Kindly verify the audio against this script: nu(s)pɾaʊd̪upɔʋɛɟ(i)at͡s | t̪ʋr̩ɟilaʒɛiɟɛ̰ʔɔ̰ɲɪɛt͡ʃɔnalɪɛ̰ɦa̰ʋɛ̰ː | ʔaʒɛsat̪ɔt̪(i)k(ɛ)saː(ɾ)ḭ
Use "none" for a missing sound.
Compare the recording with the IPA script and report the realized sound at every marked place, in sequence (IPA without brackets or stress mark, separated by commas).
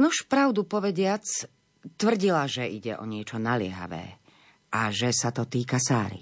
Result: ʃ, ɪ, iː, a, ɾ